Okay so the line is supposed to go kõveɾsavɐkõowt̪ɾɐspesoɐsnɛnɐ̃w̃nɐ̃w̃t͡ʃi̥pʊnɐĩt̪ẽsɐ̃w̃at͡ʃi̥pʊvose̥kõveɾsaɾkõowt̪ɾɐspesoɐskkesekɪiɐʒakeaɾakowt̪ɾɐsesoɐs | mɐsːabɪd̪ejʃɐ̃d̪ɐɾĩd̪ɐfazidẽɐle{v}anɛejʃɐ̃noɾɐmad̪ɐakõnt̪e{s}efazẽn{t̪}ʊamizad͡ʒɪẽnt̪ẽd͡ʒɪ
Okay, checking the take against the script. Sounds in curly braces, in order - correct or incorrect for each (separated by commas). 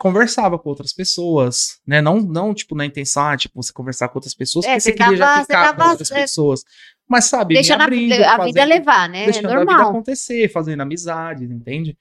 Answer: correct, correct, incorrect